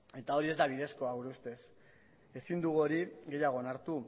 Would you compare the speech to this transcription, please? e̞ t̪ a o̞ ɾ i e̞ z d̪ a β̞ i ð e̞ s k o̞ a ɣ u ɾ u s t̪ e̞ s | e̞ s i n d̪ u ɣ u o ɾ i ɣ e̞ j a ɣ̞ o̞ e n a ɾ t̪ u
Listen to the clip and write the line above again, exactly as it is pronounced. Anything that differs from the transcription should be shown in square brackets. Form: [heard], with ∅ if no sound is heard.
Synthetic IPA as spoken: e̞ t̪ a o̞ ɾ i e̞ z d̪ a β̞ i ð e̞ s k o̞ a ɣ u ɾ u s t̪ e̞ s | e̞ s i n d̪ u ɣ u o ɾ i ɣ e̞ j a ɣ̞ o̞ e n a ɾ t̪ u